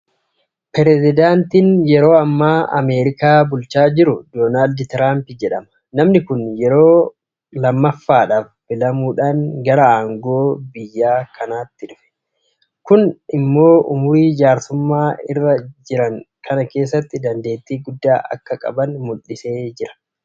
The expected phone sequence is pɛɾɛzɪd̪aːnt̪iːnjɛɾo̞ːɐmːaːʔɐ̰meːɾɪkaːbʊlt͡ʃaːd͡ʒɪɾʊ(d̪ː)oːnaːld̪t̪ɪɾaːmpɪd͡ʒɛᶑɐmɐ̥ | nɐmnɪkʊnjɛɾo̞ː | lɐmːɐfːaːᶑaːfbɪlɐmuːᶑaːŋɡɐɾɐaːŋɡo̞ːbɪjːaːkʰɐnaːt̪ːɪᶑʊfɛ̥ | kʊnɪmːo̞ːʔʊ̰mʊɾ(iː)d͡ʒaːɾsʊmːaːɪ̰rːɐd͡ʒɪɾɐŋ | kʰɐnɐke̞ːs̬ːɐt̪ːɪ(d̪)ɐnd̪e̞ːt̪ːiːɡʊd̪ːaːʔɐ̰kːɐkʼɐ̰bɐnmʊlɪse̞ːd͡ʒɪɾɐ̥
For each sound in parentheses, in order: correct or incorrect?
incorrect, correct, correct

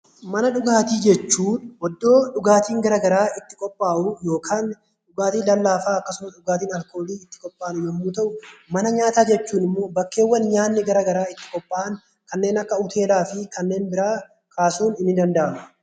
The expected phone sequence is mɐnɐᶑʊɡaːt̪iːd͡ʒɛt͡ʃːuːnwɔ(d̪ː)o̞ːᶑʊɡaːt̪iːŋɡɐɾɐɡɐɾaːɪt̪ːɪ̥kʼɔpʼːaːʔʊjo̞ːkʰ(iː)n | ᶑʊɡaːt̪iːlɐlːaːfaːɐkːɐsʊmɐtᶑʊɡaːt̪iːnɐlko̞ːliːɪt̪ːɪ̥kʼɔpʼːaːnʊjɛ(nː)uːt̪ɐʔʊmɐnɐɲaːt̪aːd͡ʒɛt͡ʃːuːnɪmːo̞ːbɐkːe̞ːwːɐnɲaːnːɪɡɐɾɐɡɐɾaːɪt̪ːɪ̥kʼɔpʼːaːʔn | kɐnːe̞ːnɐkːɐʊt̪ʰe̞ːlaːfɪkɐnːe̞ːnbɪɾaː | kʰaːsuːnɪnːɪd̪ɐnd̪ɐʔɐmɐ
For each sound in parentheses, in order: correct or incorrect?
correct, incorrect, incorrect

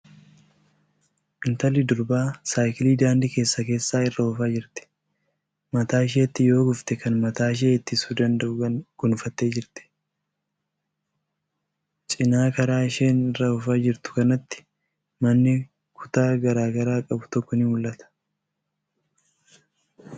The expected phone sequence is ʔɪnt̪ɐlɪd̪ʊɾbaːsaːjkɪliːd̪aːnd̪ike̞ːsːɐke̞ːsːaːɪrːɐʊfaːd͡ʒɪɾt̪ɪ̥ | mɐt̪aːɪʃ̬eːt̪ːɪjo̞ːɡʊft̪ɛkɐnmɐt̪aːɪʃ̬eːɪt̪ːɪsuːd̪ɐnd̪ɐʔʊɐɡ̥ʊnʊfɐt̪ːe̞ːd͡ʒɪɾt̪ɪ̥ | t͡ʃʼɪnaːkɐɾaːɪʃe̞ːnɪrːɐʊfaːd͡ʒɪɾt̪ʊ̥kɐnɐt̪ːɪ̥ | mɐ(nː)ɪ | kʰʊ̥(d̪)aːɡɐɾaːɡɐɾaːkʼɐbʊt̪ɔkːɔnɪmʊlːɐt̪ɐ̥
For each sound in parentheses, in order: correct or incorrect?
correct, incorrect

